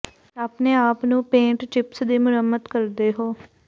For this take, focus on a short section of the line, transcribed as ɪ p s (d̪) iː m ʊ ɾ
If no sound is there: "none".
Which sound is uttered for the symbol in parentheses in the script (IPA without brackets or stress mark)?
d̪